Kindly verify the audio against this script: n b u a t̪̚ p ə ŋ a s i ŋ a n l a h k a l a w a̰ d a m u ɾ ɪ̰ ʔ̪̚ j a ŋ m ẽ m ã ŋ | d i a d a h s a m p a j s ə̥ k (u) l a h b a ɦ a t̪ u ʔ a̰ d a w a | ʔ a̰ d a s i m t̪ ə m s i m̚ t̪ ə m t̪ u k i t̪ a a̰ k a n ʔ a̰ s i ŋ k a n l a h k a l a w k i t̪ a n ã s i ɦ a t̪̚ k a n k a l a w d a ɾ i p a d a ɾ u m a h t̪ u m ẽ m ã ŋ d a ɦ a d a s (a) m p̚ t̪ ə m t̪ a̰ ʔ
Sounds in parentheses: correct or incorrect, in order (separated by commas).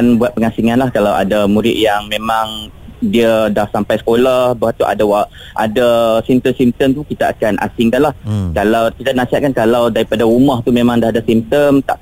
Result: incorrect, incorrect